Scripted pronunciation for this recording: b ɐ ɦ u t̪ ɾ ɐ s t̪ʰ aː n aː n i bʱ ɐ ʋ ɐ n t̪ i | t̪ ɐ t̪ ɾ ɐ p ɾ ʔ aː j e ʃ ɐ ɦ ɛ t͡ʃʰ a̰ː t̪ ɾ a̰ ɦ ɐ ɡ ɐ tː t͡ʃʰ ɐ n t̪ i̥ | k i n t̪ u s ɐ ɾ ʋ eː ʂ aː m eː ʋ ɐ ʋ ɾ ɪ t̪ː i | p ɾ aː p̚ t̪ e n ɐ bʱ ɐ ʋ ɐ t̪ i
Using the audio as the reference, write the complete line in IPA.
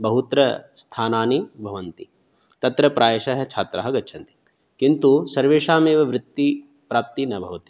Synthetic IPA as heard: b ɐ ɦ u t̪ ɾ ɐ s t̪ʰ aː n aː n i bʱ ɐ ʋ ɐ n t̪ i | t̪ ɐ t̪ ɾ ɐ p ɾ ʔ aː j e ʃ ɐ ɦ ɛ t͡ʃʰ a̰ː t̪ ɾ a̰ ɦ ɐ ɡ ɐ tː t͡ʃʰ ɐ n t̪ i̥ | k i n t̪ u s ɐ ɾ ʋ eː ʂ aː m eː ʋ ɐ ʋ ɾ ɪ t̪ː i | p ɾ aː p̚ t̪ i n ɐ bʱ ɐ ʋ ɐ t̪ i